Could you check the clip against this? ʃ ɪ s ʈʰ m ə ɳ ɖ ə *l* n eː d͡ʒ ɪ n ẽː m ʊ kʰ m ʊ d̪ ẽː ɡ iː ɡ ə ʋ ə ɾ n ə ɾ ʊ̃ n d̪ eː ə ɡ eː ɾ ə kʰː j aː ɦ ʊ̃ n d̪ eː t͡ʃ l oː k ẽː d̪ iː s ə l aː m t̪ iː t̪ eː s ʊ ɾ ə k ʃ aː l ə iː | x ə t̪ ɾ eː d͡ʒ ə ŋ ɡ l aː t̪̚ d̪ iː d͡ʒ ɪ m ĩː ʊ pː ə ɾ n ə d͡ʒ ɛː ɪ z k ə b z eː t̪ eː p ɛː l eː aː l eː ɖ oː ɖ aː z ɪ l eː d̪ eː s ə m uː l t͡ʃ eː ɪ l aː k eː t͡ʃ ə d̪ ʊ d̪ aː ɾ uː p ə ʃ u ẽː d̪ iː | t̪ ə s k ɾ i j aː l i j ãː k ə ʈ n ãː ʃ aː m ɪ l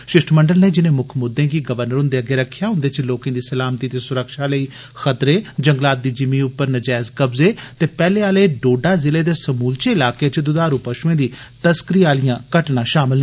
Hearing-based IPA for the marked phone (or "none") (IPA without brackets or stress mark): l